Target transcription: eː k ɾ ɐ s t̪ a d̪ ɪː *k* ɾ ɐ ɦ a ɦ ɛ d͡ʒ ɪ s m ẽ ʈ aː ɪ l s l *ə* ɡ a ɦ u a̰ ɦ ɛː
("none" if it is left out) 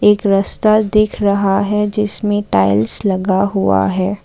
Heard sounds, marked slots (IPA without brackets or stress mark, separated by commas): kʰ, ɐ